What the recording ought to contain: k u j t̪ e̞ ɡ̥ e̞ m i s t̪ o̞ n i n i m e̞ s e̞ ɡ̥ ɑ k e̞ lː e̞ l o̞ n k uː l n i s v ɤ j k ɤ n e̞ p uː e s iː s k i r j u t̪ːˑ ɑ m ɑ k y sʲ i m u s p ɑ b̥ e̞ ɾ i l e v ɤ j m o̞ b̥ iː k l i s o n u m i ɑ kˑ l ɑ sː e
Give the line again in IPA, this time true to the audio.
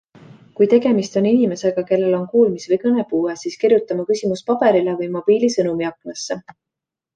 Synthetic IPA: k u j t̪ e̞ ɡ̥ e̞ m i s t̪ o̞ n i n i m e̞ s e̞ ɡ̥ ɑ k e̞ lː e̞ l o̞ n k uː l m i s v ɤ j k ɤ n e̞ p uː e s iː s k i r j u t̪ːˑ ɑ m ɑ k y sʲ i m u s p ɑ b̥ e̞ ɾ i l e v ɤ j m o̞ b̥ iː l i s ɤ n u m i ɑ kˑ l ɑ sː e